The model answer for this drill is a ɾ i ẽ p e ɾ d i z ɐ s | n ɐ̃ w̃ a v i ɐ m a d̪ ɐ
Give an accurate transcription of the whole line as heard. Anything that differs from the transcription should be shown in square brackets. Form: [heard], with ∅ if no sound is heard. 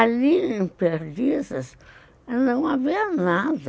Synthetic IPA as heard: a [l] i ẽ p e ɾ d i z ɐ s | n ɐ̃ w̃ a v i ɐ [n] a d̪ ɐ

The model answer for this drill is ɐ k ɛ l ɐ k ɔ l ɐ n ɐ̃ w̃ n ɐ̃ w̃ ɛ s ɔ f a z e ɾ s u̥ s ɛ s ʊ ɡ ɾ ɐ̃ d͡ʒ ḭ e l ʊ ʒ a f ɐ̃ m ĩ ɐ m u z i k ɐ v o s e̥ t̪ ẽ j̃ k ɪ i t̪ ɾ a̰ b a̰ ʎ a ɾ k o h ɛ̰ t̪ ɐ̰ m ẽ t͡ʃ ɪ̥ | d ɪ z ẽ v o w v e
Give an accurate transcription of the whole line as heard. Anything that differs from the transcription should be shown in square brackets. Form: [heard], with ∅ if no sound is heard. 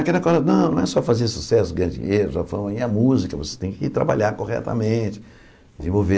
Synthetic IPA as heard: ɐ k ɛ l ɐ k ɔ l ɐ n ɐ̃ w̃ n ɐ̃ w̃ ɛ s ɔ f a z e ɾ s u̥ s ɛ s ʊ ɡ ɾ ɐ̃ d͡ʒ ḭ e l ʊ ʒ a f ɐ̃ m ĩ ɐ m u z i k ɐ v o s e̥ t̪ ẽ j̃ k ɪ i t̪ ɾ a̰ b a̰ ʎ a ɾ k o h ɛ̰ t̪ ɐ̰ m ẽ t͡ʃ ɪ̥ | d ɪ z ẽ v o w v e

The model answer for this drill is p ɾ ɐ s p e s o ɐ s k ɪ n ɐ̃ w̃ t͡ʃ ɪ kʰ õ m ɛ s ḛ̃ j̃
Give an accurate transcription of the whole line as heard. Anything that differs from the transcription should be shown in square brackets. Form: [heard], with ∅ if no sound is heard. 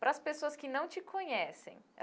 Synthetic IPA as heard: p ɾ ɐ s p e s o ɐ s k ɪ n ɐ̃ w̃ t͡ʃ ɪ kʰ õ [ɲ] ɛ s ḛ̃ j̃

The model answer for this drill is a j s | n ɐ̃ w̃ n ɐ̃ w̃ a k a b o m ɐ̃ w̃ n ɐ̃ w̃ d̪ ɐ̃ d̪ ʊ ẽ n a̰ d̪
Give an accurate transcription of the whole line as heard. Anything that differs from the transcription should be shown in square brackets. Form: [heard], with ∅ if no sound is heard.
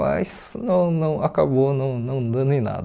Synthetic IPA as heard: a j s | n ɐ̃ w̃ n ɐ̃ w̃ a k a b o [n] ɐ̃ w̃ n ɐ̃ w̃ d̪ ɐ̃ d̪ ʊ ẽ n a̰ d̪

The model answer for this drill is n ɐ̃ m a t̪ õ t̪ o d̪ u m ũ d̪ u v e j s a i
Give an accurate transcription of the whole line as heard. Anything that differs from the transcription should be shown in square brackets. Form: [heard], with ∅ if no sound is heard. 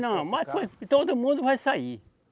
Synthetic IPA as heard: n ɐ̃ m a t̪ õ t̪ o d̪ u m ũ d̪ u v [a] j s a i

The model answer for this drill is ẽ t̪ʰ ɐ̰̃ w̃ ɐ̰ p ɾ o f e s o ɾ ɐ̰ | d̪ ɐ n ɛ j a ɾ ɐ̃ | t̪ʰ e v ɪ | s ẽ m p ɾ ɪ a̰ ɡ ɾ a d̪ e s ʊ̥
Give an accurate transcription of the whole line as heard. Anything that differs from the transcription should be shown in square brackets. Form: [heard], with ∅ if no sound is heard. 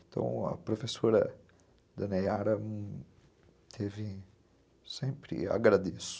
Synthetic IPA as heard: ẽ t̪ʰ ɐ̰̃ w̃ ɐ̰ p ɾ o f e s o ɾ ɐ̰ | d̪ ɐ n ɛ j a ɾ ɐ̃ | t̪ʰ e v ɪ | s ẽ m p ɾ ɪ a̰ ɡ ɾ a d̪ e s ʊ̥

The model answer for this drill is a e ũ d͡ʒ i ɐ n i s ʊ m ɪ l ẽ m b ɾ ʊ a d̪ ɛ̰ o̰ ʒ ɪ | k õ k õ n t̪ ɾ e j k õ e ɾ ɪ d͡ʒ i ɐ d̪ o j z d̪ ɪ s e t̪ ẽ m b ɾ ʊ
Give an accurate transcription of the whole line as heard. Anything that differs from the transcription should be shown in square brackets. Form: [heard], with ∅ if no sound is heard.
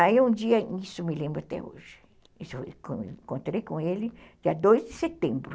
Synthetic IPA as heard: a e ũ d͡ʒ i ɐ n i s ʊ m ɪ l ẽ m b ɾ ʊ a [t̪] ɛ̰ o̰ ʒ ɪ | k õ k õ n t̪ ɾ e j k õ e [l] ɪ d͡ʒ i ɐ d̪ o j z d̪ ɪ s e t̪ ẽ m b ɾ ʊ

